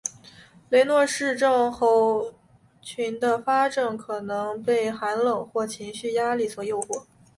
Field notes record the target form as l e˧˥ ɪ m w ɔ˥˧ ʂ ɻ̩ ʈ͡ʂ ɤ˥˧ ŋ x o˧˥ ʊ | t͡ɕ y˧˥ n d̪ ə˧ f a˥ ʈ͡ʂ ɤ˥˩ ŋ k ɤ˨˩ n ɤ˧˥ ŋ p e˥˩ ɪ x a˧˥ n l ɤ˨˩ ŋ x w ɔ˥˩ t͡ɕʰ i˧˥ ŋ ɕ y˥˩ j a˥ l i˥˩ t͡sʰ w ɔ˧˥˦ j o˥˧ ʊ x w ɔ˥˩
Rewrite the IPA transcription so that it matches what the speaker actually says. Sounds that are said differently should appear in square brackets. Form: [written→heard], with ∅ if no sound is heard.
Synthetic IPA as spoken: l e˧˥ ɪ [m→n] w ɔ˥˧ ʂ ɻ̩ ʈ͡ʂ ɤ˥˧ ŋ x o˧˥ ʊ | [t͡ɕ→t͡ɕʰ] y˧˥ n d̪ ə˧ f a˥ ʈ͡ʂ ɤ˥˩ ŋ [k→kʰ] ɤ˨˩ n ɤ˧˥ ŋ p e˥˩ ɪ x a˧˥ n l ɤ˨˩ ŋ x w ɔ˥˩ t͡ɕʰ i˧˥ ŋ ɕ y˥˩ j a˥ l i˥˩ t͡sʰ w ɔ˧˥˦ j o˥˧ ʊ x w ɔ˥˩